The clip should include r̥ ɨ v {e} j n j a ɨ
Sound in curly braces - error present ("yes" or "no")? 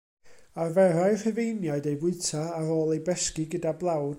no